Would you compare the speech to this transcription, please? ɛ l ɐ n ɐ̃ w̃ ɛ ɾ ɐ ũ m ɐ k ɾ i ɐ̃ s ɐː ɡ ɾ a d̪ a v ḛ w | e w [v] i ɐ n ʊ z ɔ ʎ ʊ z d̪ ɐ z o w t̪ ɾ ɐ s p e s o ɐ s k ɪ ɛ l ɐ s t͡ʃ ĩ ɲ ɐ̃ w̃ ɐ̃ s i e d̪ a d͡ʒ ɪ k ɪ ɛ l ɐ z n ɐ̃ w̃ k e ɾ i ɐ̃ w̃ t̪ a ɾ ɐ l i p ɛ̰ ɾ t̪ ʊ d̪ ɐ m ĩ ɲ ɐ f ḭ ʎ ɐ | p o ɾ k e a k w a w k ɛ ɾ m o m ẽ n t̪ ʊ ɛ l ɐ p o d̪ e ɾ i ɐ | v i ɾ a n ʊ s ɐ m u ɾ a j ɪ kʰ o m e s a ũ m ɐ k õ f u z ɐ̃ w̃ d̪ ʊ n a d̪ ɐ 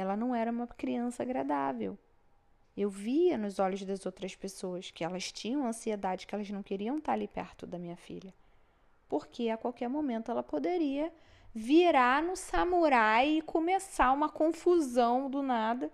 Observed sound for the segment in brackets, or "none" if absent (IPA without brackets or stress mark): v